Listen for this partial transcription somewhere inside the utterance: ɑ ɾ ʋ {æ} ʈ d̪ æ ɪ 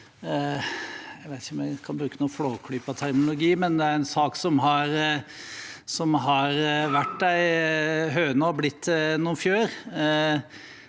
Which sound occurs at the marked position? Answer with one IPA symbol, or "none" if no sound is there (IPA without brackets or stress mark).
æ